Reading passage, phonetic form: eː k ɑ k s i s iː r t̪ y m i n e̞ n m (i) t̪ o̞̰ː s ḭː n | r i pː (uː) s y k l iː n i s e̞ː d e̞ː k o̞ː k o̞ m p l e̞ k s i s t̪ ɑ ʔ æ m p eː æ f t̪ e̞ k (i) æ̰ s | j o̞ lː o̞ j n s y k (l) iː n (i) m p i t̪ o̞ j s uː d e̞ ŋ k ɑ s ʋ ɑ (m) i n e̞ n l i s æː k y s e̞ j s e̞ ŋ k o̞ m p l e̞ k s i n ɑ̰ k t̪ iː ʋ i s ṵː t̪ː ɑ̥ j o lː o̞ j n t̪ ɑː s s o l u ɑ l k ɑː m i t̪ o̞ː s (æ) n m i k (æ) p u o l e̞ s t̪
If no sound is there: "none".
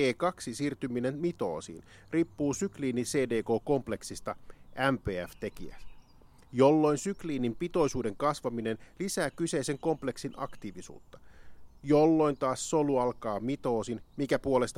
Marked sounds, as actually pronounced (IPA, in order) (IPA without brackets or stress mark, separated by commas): i, uː, i, l, i, m, i, æ